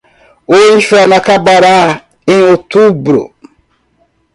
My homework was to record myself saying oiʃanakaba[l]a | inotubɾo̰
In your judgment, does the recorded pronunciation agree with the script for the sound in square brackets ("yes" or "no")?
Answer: no